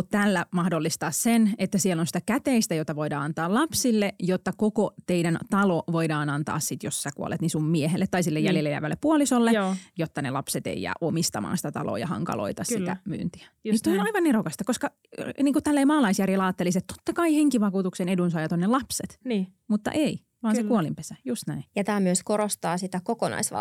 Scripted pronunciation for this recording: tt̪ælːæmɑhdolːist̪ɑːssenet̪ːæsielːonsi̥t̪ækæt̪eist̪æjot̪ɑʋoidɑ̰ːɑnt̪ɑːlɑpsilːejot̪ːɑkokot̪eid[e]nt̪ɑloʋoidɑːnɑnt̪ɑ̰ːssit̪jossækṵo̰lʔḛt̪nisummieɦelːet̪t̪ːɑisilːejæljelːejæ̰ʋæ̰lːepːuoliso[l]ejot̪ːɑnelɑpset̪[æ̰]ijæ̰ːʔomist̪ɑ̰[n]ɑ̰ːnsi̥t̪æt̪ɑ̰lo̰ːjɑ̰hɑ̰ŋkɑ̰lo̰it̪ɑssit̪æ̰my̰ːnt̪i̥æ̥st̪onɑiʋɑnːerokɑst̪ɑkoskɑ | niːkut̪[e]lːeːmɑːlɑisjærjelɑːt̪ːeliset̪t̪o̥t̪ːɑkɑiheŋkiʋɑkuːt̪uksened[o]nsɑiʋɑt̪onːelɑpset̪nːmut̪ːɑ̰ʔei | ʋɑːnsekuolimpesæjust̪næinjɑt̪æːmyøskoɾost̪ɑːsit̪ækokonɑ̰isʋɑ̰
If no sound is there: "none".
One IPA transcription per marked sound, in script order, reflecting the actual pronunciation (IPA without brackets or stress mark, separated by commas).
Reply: æ, lː, ḛ, m, æ, u